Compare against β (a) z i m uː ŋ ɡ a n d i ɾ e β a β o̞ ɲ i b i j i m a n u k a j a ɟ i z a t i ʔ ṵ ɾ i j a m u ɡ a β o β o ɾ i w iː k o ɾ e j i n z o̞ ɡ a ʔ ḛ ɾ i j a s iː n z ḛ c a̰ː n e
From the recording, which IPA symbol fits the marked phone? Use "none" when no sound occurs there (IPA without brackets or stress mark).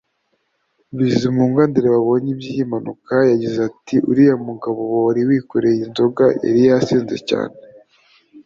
i